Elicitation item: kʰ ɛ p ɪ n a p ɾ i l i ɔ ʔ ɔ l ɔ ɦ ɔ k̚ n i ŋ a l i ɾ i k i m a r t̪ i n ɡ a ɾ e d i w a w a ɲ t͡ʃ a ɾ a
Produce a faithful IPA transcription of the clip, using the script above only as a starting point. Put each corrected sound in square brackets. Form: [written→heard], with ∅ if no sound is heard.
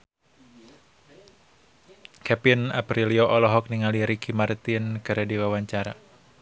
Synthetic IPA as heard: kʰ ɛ p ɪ n a p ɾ i l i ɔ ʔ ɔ l ɔ ɦ ɔ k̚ n i ŋ a l i ɾ i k i m a r t̪ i n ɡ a ɾ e d i w a w a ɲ t͡ʃ a ɾ a

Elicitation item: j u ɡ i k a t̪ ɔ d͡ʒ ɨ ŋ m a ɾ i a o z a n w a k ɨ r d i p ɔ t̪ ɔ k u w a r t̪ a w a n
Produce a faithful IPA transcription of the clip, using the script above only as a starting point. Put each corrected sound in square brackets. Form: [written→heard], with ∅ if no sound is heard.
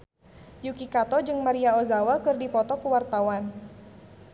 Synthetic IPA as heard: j u [ɡ→k] i k a t̪ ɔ d͡ʒ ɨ ŋ m a ɾ i a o z a [n→∅] w a k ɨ r d i p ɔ t̪ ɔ k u w a r t̪ a w a n

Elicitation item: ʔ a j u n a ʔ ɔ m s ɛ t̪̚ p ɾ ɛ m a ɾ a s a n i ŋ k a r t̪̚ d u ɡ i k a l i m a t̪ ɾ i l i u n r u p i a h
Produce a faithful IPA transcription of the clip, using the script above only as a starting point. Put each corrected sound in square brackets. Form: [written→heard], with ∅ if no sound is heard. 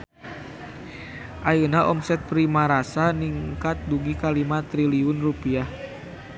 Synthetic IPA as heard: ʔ a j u n a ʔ ɔ m s ɛ t̪̚ p ɾ [ɛ→i] m a ɾ a s a n i ŋ k a [r→∅] t̪̚ d u ɡ i k a l i m a t̪ ɾ i l i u n r u p i a h

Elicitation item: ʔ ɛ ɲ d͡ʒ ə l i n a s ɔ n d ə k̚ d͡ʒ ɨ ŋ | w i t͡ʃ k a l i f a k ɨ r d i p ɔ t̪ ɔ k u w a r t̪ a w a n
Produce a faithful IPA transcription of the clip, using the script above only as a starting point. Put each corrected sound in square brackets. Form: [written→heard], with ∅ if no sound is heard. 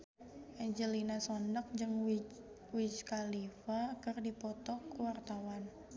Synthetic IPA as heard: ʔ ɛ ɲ d͡ʒ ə l i n a s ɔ n d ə k̚ d͡ʒ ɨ ŋ | w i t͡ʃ k a l i f a k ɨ r d i p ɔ t̪ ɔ k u w a r t̪ a w a n

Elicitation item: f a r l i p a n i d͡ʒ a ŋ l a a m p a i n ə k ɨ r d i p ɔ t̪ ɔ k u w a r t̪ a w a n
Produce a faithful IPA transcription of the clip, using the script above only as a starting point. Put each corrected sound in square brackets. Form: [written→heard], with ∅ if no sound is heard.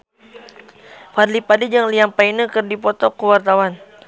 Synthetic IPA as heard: f a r l i p a [n→d] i d͡ʒ a ŋ l [a→i] a m p a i n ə k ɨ r d i p ɔ t̪ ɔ k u w a r t̪ a w a n

